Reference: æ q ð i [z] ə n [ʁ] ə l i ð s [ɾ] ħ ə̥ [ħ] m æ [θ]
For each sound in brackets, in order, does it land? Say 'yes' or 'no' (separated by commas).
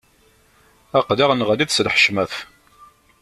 no, yes, no, no, yes